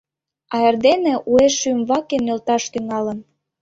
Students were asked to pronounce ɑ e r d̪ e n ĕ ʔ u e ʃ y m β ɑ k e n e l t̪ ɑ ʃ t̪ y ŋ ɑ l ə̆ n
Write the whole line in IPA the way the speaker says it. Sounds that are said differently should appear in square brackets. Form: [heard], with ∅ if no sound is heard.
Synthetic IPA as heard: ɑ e r d̪ e n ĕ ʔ u e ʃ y m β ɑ k e n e l t̪ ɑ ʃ t̪ y ŋ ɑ l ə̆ n